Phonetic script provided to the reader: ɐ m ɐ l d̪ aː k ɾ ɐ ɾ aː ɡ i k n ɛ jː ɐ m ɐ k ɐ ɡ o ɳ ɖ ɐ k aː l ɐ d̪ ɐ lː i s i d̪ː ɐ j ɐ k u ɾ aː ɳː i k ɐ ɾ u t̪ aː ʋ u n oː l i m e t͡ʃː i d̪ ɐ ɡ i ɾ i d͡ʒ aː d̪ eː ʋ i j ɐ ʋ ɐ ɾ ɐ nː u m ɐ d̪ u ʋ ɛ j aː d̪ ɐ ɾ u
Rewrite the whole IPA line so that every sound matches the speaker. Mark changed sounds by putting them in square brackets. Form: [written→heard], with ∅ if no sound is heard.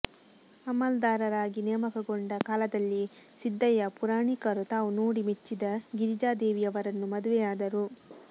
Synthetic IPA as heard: ɐ m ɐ l d̪ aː [k→∅] ɾ ɐ ɾ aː ɡ i [k→∅] n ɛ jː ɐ m ɐ k ɐ ɡ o ɳ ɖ ɐ k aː l ɐ d̪ ɐ lː i s i d̪ː ɐ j ɐ [k→p] u ɾ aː [ɳː→ɳ] i k ɐ ɾ u t̪ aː ʋ u n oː [l→ɽ] i m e t͡ʃː i d̪ ɐ ɡ i ɾ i d͡ʒ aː d̪ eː ʋ i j ɐ ʋ ɐ ɾ ɐ nː u m ɐ d̪ u ʋ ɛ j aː d̪ ɐ ɾ u